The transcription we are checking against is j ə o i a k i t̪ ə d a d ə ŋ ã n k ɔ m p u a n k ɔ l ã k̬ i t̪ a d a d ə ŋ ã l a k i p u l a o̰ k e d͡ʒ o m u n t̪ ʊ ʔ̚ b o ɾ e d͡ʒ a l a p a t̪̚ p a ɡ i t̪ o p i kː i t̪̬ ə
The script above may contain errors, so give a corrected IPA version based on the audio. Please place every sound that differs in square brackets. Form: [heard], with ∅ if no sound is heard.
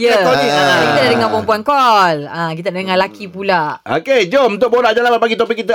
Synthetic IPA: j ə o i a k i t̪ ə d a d ə ŋ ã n [p] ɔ m p u a n k ɔ l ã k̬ i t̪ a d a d ə ŋ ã l a k i p u l a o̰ k e d͡ʒ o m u n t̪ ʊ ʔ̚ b o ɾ [a] d͡ʒ a l a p a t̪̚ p a ɡ i t̪ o p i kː i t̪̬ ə